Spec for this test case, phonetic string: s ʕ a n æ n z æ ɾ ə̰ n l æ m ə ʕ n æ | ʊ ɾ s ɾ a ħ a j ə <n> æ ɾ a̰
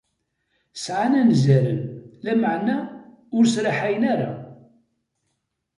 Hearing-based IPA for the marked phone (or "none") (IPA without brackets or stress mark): n